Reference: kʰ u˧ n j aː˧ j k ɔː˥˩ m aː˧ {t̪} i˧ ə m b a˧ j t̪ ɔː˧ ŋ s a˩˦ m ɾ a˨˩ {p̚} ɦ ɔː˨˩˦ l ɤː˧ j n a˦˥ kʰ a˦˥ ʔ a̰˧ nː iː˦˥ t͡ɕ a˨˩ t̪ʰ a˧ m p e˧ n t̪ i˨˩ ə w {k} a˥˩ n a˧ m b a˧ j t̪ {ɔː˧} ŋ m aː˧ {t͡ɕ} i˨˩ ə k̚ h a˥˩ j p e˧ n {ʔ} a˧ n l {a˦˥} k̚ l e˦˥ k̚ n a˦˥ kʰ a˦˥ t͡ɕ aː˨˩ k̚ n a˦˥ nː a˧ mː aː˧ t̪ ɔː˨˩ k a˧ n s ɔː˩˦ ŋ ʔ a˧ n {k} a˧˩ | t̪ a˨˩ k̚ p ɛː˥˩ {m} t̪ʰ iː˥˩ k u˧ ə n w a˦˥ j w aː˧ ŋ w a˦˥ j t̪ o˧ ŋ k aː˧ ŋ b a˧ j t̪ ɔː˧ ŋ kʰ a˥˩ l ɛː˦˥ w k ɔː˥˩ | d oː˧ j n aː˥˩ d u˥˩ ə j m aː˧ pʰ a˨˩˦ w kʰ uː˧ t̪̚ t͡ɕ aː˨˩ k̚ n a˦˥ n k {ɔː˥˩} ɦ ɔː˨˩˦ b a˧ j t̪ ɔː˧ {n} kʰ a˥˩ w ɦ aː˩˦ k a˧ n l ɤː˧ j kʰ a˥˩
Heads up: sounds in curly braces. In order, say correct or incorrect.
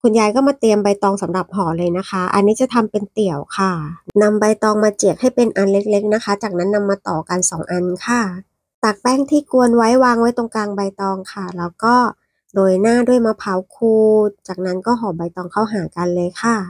correct, correct, incorrect, correct, correct, correct, incorrect, incorrect, incorrect, correct, incorrect

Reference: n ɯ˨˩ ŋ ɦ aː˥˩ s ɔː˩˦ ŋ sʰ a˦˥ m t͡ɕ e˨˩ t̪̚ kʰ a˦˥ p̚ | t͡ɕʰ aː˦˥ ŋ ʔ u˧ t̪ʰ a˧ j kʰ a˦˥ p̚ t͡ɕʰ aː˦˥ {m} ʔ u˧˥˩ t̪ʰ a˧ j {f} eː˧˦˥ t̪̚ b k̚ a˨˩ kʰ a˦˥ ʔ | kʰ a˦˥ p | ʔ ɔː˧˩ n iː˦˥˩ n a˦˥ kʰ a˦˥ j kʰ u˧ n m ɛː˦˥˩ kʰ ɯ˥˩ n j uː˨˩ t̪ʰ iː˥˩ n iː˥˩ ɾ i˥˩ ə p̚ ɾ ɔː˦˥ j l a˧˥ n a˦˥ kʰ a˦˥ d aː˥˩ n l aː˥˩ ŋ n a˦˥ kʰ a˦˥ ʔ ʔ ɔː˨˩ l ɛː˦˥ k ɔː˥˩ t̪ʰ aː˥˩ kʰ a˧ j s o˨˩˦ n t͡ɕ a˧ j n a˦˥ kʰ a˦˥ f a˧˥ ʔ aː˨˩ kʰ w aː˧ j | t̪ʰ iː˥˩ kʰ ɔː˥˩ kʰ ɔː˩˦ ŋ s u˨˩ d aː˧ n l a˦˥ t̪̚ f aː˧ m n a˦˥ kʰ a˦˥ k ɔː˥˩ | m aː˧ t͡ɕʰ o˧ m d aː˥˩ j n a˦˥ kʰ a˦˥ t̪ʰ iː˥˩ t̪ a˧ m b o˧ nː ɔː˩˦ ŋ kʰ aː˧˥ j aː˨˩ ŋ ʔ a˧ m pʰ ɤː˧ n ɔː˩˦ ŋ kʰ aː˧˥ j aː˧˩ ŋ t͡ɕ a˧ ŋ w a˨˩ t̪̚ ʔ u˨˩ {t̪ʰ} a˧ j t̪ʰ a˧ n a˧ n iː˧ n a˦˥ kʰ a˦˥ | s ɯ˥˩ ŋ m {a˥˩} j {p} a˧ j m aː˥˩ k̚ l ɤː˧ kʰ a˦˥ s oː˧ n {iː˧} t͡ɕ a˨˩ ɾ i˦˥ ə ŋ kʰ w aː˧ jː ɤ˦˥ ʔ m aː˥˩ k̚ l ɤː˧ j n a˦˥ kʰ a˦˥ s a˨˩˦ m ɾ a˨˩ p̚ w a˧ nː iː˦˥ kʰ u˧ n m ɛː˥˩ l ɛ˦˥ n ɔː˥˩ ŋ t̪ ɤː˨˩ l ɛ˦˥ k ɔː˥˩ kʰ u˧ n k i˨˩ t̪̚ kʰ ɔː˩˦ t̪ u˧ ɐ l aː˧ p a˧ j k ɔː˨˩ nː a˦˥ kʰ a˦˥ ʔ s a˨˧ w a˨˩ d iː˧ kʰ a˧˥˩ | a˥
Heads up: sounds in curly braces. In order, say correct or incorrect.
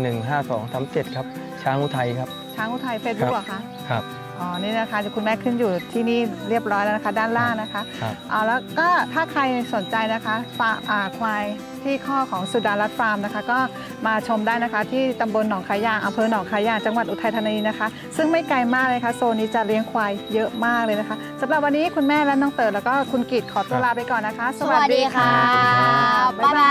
incorrect, correct, correct, correct, incorrect, incorrect

